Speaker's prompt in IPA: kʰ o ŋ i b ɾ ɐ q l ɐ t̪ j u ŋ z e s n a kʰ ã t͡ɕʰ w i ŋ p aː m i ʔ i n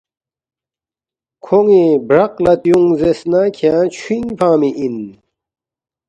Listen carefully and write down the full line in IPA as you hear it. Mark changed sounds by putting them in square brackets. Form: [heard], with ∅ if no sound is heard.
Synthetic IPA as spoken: kʰ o ŋ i b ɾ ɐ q l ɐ t̪ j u ŋ z e s n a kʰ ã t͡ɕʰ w i ŋ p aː m i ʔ i n